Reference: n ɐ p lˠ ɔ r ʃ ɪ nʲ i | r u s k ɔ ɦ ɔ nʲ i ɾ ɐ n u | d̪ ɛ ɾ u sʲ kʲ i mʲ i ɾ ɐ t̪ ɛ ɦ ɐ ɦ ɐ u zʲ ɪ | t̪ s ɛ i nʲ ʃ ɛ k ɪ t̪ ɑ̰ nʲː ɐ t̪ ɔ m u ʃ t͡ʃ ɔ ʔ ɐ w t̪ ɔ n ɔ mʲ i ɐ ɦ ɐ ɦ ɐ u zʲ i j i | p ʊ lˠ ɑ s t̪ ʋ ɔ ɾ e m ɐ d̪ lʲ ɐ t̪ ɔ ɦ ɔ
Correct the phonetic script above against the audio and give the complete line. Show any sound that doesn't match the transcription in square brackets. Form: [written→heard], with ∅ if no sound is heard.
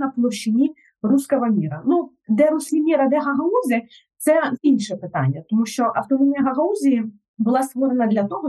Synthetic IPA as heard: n ɐ p lˠ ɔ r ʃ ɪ nʲ i | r u s k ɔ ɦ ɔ [nʲ→mʲ] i ɾ ɐ n u | d̪ ɛ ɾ u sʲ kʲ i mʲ i ɾ ɐ [t̪→d̪] ɛ ɦ ɐ ɦ ɐ u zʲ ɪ | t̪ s ɛ i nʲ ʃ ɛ [k→p] ɪ t̪ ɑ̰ nʲː ɐ t̪ ɔ m u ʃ t͡ʃ ɔ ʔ ɐ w t̪ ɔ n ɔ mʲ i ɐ ɦ ɐ ɦ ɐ u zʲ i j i | [p→b] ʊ lˠ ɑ s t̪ ʋ ɔ ɾ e [m→n] ɐ d̪ lʲ ɐ t̪ ɔ ɦ ɔ